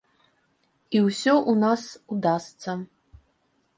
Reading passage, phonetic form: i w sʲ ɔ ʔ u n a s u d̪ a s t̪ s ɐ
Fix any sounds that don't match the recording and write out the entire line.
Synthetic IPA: i w sʲ ɔ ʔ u n a s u d̪ a s t̪ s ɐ